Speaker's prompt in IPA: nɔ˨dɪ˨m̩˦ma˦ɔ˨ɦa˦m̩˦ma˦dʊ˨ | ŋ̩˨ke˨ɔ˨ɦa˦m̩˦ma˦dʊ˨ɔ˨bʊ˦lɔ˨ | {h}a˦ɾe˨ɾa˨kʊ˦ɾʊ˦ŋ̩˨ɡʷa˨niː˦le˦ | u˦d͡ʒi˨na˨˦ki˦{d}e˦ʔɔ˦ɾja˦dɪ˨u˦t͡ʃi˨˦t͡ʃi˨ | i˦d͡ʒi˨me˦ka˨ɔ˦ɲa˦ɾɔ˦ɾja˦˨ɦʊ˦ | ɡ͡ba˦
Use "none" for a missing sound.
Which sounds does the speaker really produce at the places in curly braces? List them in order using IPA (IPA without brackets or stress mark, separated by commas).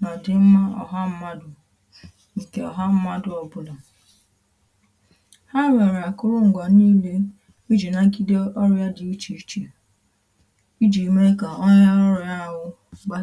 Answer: h, d